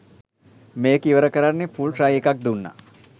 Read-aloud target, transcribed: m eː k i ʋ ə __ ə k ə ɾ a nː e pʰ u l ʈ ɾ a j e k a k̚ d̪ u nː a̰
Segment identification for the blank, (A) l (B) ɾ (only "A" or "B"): B